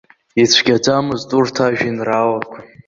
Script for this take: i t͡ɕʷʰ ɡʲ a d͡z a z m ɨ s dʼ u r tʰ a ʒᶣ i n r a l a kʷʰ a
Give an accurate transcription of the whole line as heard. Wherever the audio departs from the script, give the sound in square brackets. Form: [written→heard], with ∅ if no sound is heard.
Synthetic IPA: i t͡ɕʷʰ ɡʲ a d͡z a [z→∅] m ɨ [s→z] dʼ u r tʰ a ʒᶣ i n r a l a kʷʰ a